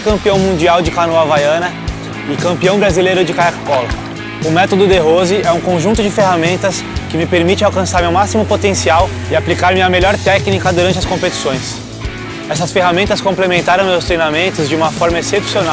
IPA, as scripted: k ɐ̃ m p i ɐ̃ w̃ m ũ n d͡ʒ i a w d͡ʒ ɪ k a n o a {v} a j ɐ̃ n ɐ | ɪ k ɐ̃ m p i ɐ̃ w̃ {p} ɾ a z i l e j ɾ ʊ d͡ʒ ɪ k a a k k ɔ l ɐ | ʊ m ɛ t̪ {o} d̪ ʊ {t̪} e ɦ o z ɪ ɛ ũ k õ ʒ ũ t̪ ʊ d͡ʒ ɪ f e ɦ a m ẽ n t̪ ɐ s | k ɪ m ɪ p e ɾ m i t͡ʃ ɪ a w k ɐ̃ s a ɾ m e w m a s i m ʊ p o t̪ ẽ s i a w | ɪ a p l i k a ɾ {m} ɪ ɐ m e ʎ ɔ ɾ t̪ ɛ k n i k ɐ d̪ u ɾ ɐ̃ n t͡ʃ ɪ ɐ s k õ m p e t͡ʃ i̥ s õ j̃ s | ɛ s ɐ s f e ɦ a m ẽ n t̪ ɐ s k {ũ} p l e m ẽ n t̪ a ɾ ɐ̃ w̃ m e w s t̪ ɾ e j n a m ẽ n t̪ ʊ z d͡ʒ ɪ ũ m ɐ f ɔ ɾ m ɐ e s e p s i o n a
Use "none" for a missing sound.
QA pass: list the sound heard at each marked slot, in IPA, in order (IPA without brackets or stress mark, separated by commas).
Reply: v, b, o, d̪, m, õ